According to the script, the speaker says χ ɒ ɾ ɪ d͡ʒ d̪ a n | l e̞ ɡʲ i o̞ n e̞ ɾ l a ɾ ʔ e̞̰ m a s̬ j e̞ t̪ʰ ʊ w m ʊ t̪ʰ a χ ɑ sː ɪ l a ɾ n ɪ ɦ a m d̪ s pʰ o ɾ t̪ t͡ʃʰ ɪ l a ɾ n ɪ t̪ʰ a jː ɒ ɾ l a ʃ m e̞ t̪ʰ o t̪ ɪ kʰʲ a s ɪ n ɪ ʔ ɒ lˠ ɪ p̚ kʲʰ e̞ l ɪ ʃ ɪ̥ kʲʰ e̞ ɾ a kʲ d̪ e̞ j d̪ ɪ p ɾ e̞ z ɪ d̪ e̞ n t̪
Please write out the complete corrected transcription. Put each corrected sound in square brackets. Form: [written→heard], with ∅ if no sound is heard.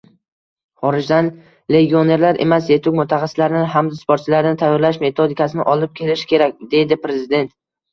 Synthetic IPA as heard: χ ɒ ɾ ɪ d͡ʒ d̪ a n | l e̞ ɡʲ i o̞ n e̞ ɾ l a ɾ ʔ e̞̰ m a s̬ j e̞ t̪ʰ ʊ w m ʊ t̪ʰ a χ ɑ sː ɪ l a ɾ n ɪ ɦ a m d̪ s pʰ o ɾ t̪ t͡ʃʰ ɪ l a ɾ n ɪ t̪ʰ a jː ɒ ɾ l a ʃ m e̞ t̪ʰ o [t̪→d̪] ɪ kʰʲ a s ɪ n ɪ ʔ ɒ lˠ ɪ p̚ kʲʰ e̞ l ɪ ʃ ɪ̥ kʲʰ e̞ ɾ a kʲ d̪ e̞ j d̪ ɪ p ɾ e̞ z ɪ d̪ e̞ n t̪

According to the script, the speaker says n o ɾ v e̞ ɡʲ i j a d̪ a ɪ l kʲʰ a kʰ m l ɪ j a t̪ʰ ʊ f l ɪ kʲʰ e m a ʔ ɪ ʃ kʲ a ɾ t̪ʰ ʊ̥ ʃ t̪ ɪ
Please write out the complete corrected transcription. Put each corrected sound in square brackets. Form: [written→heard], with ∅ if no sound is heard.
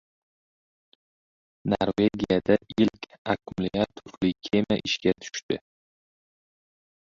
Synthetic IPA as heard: n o ɾ v e̞ ɡʲ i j a d̪ a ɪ l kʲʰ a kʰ m l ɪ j a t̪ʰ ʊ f l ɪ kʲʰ e m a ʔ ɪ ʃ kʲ a [ɾ→∅] t̪ʰ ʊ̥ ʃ t̪ ɪ

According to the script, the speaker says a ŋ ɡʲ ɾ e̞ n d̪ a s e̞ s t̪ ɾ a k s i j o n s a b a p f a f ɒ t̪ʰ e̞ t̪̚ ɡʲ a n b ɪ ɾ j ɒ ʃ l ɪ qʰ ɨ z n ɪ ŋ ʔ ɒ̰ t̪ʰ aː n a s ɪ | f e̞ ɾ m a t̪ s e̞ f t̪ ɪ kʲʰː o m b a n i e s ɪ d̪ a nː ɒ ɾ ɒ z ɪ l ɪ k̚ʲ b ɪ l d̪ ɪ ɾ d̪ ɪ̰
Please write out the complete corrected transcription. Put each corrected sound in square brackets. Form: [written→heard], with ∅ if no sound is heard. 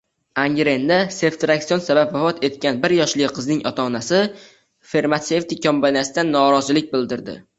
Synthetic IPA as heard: a ŋ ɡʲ ɾ e̞ n d̪ a s e̞ [s→f] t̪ ɾ a k s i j o n s a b a p [f→v] a f ɒ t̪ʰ e̞ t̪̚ [ɡʲ→kʲ] a n b ɪ ɾ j ɒ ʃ l ɪ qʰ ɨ z n ɪ ŋ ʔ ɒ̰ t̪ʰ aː n a s ɪ | f e̞ ɾ m a t̪ s e̞ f t̪ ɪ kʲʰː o m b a n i [e→a] s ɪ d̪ a nː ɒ ɾ ɒ z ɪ l ɪ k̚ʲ b ɪ l d̪ ɪ ɾ d̪ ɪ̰

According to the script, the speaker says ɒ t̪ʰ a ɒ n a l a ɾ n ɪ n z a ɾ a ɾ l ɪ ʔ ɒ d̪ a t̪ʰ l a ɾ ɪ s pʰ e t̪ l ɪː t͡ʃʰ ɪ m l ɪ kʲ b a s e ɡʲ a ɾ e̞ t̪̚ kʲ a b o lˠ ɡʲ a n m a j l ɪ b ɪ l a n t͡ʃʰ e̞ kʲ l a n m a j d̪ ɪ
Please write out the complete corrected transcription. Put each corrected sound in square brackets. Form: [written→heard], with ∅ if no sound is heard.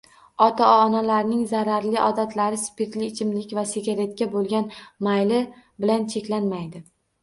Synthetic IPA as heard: ɒ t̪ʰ a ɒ n a l a ɾ n ɪ [n→ŋ] z a ɾ a ɾ l ɪ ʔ ɒ d̪ a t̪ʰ l a ɾ ɪ s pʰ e t̪ l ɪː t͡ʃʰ ɪ m l ɪ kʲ [b→v] a s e ɡʲ a ɾ e̞ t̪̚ kʲ a b o lˠ ɡʲ a n m a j l ɪ b ɪ l a n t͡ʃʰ e̞ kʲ l a n m a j d̪ ɪ

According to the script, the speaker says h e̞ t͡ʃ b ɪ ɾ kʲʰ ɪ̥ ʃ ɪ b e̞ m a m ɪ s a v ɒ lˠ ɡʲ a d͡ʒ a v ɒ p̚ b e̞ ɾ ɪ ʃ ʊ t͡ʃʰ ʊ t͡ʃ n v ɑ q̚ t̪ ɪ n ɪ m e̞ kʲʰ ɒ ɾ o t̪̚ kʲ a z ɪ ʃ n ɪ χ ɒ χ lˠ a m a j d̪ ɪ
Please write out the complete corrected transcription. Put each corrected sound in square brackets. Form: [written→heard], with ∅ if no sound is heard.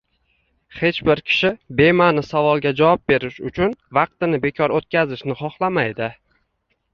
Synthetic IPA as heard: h e̞ t͡ʃ b ɪ ɾ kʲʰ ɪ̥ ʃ ɪ b e̞ m a [m→n] ɪ s a v ɒ lˠ ɡʲ a d͡ʒ a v ɒ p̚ b e̞ ɾ ɪ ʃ ʊ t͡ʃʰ ʊ [t͡ʃ→∅] n v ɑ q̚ t̪ ɪ n ɪ [m→b] e̞ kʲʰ ɒ ɾ o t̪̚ kʲ a z ɪ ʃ n ɪ χ ɒ χ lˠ a m a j d̪ ɪ

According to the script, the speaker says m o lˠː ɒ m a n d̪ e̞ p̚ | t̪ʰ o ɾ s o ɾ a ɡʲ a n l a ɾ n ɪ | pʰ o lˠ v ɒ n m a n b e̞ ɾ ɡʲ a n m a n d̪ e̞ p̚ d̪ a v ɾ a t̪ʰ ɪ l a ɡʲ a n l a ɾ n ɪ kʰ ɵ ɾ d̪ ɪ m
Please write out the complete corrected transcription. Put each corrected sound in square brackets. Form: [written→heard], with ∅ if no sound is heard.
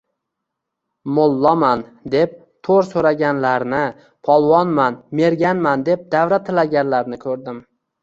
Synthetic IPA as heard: m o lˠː ɒ m a n d̪ e̞ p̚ | t̪ʰ o ɾ s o ɾ a ɡʲ a n l a ɾ n ɪ | pʰ [o→ɒ] lˠ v ɒ n m a n [b→m] e̞ ɾ ɡʲ a n m a n d̪ e̞ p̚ d̪ a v ɾ a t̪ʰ ɪ l a ɡʲ a n l a ɾ n ɪ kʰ ɵ ɾ d̪ ɪ m

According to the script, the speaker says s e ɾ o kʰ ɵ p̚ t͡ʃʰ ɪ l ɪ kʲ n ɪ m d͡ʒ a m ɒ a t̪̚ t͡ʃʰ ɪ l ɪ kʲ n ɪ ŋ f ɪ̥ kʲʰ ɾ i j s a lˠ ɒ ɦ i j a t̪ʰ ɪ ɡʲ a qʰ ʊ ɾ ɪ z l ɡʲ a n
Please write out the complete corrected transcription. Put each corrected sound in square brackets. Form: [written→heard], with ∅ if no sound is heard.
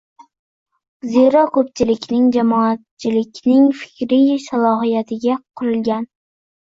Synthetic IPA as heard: [s→z] e ɾ [o→ɒ] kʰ ɵ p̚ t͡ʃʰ ɪ l ɪ kʲ n ɪ [m→ŋ] d͡ʒ a m ɒ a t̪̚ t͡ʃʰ ɪ l ɪ kʲ n ɪ ŋ f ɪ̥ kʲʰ ɾ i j s a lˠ ɒ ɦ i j a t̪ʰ ɪ ɡʲ a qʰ ʊ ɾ ɪ [z→∅] l ɡʲ a n

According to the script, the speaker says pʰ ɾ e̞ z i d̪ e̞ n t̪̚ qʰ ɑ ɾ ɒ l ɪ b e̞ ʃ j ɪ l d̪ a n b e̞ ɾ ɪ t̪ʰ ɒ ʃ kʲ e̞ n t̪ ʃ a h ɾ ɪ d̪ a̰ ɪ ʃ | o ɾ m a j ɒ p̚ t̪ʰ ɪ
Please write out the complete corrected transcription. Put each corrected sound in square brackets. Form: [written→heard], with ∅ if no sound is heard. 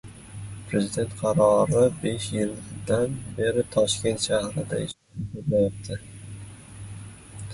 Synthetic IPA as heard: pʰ ɾ e̞ z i d̪ e̞ n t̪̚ qʰ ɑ ɾ ɒ [l→ɾ] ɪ b e̞ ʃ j ɪ l d̪ a n b e̞ ɾ ɪ t̪ʰ ɒ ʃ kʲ e̞ n t̪ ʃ a h ɾ ɪ d̪ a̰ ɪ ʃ | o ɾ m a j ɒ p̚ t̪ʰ ɪ

